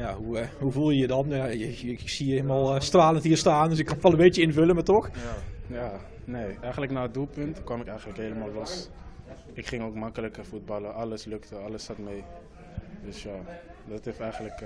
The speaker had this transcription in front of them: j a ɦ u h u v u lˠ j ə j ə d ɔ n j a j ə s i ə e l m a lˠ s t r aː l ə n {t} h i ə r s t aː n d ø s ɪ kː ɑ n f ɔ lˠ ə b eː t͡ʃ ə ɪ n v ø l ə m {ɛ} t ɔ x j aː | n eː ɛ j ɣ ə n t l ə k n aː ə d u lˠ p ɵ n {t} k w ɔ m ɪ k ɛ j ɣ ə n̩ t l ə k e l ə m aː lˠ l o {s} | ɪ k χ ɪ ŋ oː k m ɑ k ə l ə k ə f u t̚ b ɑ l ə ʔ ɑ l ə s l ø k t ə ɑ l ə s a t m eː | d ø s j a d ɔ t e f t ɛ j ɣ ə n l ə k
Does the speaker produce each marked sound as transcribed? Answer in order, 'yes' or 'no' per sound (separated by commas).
yes, no, yes, yes